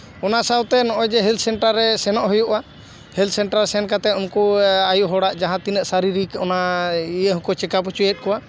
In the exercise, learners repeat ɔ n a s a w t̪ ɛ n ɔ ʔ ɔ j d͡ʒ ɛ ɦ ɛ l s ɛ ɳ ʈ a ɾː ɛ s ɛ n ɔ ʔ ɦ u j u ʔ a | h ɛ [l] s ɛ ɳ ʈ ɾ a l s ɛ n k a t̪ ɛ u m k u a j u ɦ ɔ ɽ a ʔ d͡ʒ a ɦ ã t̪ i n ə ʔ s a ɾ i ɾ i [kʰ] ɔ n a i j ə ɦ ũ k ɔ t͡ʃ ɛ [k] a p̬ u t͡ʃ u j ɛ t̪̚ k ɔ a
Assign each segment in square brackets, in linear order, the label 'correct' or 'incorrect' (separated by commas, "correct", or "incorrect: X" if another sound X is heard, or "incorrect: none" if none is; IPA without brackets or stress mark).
correct, incorrect: k, correct